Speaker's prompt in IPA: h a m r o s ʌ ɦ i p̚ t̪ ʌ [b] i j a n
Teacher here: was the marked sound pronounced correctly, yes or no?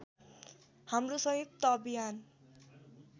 yes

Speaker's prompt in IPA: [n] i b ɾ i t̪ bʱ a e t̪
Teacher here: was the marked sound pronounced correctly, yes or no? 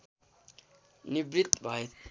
yes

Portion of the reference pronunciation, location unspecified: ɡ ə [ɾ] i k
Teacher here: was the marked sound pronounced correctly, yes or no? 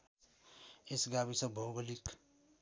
no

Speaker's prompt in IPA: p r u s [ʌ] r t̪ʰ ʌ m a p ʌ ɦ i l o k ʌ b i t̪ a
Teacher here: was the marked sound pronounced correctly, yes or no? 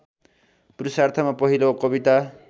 no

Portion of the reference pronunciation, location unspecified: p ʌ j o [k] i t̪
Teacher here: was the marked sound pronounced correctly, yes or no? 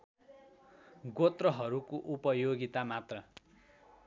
no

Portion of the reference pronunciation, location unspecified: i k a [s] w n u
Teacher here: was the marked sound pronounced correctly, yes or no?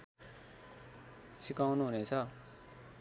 no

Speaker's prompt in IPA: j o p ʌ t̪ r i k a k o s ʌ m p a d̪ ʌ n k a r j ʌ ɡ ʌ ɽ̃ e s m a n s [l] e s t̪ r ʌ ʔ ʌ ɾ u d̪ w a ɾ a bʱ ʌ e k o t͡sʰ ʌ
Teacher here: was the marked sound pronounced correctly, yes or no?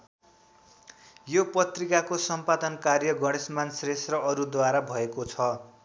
no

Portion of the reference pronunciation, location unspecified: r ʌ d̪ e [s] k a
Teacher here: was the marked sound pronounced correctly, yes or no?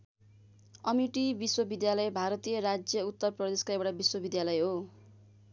yes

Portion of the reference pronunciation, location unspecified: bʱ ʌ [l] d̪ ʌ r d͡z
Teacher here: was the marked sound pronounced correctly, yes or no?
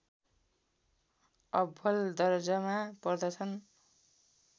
yes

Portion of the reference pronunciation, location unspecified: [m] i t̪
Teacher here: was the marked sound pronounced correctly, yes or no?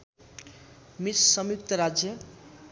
yes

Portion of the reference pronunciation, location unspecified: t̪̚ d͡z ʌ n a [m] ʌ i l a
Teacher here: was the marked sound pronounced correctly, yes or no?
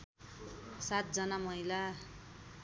yes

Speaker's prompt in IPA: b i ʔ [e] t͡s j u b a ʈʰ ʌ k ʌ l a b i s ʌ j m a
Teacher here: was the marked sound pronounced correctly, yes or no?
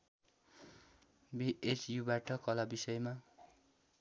yes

